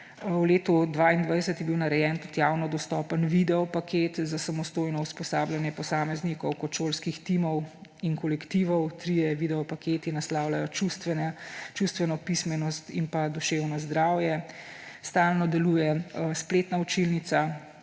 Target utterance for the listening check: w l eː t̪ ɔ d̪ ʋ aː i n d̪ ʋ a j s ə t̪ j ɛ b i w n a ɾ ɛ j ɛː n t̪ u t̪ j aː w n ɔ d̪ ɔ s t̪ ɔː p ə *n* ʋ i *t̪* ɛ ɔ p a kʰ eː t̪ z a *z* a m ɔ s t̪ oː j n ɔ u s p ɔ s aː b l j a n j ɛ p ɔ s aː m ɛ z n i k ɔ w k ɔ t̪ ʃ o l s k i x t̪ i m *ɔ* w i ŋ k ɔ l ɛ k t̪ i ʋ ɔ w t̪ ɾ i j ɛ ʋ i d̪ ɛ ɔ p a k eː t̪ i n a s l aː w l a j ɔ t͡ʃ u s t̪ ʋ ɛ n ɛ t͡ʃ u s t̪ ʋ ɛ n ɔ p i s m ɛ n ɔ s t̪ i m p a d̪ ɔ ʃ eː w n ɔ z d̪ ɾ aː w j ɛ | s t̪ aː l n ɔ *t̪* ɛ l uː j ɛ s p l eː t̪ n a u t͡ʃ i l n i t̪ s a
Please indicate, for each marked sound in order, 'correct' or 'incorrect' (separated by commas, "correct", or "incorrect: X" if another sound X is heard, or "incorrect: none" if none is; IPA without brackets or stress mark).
correct, incorrect: d̪, incorrect: s, correct, incorrect: d̪